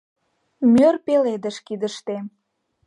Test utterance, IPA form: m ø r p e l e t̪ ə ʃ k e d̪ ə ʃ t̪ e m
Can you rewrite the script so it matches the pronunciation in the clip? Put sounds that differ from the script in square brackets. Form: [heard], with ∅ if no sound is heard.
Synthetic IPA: m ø r p e l e [d̪] ə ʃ k [i] d̪ ə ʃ t̪ e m